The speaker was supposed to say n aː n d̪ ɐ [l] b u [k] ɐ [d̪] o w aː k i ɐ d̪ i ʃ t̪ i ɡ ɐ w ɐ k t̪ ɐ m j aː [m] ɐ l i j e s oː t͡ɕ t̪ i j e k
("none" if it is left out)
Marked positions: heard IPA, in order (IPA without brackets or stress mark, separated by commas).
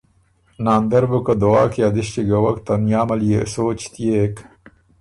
ɾ, k, d̪, m